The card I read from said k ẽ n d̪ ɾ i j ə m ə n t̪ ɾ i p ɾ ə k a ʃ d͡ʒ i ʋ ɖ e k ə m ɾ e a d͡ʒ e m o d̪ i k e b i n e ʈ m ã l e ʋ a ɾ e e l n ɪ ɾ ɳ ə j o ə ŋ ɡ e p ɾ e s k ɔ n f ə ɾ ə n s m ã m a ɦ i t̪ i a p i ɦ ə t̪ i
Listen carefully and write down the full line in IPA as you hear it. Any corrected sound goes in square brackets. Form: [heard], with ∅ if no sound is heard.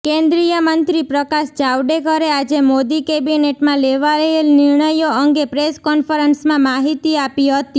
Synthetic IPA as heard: k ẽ n d̪ ɾ i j ə m ə n t̪ ɾ i p ɾ ə k a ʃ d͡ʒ [a] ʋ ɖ e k ə [∅] ɾ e a d͡ʒ e m o d̪ i k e b i n e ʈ m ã l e ʋ a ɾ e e l n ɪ ɾ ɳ ə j o ə ŋ ɡ e p ɾ e s k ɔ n f ə ɾ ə n s m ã m a ɦ i t̪ i a p i ɦ ə t̪ i

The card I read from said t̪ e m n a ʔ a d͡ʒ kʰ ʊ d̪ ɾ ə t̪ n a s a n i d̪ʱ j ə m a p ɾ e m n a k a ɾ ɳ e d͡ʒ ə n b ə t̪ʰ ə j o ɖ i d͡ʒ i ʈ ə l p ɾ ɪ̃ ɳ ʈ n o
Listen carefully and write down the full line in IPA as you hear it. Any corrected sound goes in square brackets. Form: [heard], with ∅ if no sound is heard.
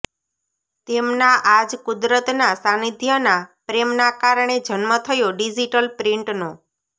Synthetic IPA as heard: t̪ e m n a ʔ a d͡ʒ [k] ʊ d̪ ɾ ə t̪ n a s a n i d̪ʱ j ə [n] a p ɾ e m n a k a ɾ ɳ e d͡ʒ ə n [m] ə t̪ʰ ə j o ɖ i d͡ʒ i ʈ ə l p ɾ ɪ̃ ɳ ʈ n o

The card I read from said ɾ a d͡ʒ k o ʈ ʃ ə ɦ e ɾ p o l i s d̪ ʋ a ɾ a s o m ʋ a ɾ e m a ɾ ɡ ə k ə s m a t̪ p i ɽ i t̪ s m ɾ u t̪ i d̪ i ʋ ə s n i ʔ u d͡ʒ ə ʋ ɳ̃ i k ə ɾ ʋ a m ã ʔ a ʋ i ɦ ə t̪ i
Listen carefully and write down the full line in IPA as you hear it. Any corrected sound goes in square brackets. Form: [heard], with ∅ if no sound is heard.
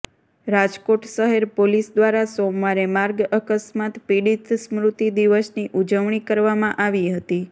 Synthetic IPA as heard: ɾ a d͡ʒ k o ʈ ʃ ə ɦ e ɾ p o l i s d̪ ʋ a ɾ a s o m ʋ a ɾ e m a ɾ ɡ ə k ə s m a t̪ p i ɽ i t̪ s m ɾ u t̪ i d̪ i ʋ ə s n i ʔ u d͡ʒ ə ʋ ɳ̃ i k ə ɾ ʋ a m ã ʔ a ʋ i ɦ ə t̪ i

